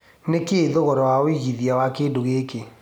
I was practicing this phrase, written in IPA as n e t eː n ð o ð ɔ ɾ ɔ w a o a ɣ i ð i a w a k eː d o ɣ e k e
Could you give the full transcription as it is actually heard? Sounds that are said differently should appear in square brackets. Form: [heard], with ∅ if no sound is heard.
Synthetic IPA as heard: n e [k] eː [∅] ð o [ɣ] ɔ ɾ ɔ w a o [i] ɣ i ð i a w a k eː d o ɣ e k e